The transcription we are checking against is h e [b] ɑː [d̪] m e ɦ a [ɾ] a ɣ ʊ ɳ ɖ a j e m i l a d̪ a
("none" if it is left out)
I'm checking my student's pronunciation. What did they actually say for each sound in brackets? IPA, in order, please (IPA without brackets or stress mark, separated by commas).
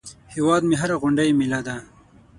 w, d̪, ɾ